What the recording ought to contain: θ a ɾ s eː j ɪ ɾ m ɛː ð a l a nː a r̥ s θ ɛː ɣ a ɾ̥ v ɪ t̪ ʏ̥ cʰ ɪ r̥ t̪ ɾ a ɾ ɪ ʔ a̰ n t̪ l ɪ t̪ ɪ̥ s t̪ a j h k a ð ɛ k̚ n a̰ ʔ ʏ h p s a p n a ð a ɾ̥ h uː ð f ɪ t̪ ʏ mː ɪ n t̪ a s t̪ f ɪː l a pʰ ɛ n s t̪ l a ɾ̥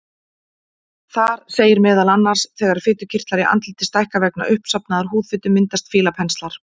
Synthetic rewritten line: θ a ɾ s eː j ɪ ɾ m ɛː ð a l a nː a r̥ s θ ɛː ɣ a ɾ̥ f ɪ t̪ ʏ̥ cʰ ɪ r̥ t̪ l a ɾ ɪ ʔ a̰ n t̪ l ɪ t̪ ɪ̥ s t̪ a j h k a v ɛ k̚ n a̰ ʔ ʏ h p s a p n a ð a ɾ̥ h uː ð f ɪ t̪ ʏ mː ɪ n t̪ a s t̪ f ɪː l a pʰ ɛ n s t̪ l a ɾ̥